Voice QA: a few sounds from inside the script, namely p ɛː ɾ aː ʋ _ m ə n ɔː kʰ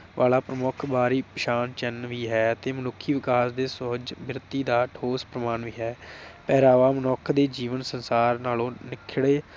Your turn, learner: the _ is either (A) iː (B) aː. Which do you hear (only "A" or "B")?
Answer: B